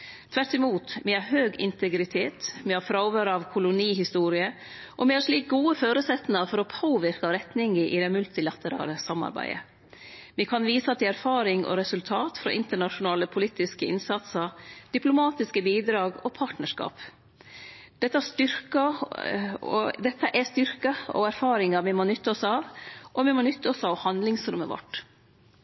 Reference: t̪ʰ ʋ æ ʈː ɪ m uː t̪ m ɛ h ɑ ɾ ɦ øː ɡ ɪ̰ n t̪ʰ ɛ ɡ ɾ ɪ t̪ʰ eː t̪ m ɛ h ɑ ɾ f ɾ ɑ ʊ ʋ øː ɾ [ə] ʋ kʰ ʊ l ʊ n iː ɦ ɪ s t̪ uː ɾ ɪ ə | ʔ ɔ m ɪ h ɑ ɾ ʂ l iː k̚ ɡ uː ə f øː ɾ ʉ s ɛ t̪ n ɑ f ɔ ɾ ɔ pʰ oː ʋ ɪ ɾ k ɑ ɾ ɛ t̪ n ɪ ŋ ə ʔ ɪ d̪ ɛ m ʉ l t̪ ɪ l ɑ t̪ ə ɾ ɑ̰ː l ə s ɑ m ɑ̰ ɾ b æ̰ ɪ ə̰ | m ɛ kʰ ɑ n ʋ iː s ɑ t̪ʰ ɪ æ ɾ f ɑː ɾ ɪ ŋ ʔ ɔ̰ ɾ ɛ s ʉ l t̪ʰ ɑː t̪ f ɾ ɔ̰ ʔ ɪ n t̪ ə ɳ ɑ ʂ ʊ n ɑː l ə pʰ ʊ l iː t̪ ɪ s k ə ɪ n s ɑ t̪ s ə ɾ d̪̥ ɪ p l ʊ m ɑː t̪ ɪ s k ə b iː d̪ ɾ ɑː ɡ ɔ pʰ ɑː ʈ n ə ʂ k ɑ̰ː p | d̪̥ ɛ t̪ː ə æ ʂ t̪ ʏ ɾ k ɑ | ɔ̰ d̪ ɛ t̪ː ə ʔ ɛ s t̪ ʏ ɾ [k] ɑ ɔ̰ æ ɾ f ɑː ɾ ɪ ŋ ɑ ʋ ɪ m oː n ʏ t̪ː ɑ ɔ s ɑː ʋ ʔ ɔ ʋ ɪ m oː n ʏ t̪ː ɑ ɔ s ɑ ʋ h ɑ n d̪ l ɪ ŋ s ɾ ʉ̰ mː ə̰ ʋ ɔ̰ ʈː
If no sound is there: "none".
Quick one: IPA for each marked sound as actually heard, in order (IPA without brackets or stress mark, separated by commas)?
ɑ, k